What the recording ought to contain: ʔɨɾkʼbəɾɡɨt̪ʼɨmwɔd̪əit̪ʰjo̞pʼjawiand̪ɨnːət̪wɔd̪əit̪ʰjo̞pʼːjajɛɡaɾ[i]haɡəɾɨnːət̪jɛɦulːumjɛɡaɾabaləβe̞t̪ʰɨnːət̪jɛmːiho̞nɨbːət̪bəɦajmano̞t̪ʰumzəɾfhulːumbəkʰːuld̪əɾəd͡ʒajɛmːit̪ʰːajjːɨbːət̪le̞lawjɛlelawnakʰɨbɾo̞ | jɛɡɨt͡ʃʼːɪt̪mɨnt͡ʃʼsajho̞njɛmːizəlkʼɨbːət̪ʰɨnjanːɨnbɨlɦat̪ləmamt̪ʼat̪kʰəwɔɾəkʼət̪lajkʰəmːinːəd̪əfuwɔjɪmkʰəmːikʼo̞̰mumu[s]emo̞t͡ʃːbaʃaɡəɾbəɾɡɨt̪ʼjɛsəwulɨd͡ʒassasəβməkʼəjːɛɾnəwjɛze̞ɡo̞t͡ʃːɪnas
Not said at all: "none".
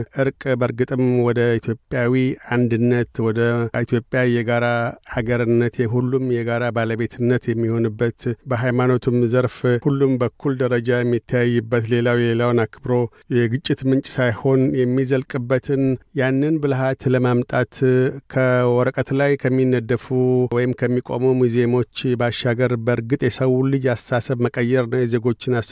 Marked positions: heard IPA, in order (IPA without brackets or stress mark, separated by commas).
a, z